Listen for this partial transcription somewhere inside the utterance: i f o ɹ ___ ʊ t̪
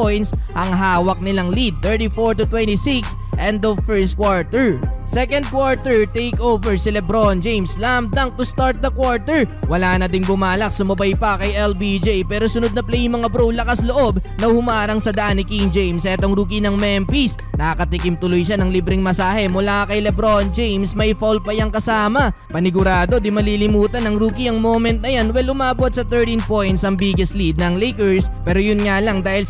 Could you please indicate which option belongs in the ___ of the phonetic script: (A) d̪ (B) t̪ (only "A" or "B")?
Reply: B